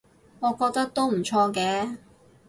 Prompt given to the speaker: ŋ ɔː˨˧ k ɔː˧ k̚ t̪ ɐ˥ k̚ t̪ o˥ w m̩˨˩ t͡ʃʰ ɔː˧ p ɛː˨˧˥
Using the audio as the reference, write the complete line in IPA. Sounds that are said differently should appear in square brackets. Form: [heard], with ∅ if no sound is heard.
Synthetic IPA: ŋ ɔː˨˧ k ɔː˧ k̚ t̪ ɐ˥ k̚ t̪ o˥ w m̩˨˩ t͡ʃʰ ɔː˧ [k] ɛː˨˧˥